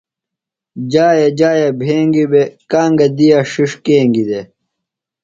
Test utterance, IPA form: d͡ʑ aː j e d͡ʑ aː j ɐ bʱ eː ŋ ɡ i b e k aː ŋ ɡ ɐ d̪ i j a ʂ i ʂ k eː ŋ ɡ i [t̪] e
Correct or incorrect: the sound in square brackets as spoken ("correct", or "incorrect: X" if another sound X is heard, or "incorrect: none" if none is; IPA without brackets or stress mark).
incorrect: d̪